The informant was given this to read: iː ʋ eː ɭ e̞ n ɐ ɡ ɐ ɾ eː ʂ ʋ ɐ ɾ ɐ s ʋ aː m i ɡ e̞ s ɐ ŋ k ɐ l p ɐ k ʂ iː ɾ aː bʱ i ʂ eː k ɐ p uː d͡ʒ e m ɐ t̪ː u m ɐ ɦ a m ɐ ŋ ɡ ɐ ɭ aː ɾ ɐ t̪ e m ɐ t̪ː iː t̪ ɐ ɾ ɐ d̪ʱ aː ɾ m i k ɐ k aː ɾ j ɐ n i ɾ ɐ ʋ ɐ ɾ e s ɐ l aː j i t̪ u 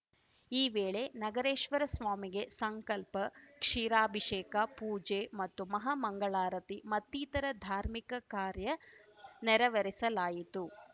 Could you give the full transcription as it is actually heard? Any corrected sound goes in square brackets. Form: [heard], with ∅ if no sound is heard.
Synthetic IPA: iː ʋ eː ɭ e̞ n ɐ ɡ ɐ ɾ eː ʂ ʋ ɐ ɾ ɐ s ʋ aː m i ɡ e̞ s ɐ ŋ k ɐ l p ɐ k ʂ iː ɾ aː bʱ i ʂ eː k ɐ p uː d͡ʒ e m ɐ t̪ː u m ɐ ɦ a m ɐ ŋ ɡ ɐ ɭ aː ɾ ɐ t̪ [i] m ɐ t̪ː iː t̪ ɐ ɾ ɐ d̪ʱ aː ɾ m i k ɐ k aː ɾ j ɐ n [ɛ] ɾ ɐ ʋ ɐ ɾ [i] s ɐ l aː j i t̪ u